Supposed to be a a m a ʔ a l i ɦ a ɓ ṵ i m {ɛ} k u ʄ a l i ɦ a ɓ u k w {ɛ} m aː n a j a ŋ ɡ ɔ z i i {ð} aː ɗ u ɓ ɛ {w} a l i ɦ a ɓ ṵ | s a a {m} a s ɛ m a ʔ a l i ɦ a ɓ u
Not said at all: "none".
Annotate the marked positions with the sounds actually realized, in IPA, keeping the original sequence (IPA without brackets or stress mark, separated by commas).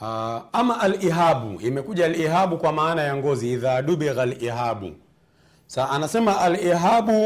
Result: ɛ, a, ð, ɣ, n